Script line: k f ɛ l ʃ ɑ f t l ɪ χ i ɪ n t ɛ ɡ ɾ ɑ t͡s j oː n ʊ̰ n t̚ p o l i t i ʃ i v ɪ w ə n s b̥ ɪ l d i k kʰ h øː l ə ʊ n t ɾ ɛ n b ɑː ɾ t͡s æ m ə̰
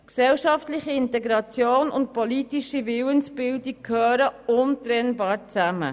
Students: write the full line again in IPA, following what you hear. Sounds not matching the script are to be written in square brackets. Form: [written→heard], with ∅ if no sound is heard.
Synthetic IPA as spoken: k [f→s] ɛ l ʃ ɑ f t l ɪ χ i ɪ n t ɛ ɡ ɾ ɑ t͡s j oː n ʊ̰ n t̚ p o l i t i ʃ i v ɪ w ə n s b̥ ɪ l d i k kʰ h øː [l→ɾ] ə ʊ n t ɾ ɛ n b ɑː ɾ t͡s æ m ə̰